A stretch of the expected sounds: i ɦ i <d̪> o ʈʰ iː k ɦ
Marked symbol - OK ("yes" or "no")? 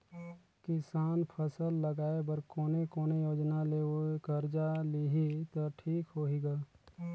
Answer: no